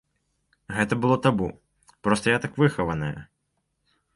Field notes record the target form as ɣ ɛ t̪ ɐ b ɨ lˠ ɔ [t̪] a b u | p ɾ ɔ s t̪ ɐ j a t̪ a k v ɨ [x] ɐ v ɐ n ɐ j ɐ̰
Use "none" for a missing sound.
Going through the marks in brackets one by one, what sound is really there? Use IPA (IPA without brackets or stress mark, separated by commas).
t̪, x